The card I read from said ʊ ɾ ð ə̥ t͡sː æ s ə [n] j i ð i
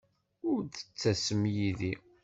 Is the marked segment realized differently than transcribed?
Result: yes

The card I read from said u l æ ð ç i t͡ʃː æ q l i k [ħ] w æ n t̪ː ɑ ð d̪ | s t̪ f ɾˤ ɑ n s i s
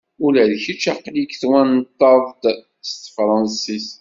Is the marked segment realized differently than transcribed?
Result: yes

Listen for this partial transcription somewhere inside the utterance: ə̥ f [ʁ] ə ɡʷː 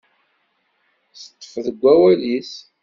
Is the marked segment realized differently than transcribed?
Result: yes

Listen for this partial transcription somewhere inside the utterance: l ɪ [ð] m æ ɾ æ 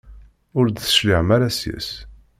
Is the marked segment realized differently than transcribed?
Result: yes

